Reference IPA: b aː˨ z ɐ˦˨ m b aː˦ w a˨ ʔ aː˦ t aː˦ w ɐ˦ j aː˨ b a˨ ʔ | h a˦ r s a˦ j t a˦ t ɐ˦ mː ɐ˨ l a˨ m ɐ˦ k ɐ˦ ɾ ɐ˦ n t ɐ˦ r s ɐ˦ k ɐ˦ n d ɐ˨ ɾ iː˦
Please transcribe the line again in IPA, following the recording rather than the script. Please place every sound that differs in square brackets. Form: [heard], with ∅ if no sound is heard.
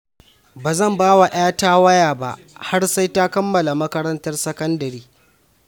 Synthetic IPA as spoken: b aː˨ z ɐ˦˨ m b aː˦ w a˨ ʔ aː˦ t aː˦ w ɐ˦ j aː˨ b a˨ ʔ | h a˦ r s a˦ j t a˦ [k] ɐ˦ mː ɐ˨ l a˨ m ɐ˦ k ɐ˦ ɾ ɐ˦ n t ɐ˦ r s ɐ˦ k ɐ˦ n d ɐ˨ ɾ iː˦